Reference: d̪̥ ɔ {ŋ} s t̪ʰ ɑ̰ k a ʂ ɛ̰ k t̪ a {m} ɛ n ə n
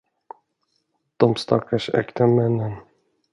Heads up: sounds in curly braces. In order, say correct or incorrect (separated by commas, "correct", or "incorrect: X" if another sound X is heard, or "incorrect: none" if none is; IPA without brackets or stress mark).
incorrect: m, correct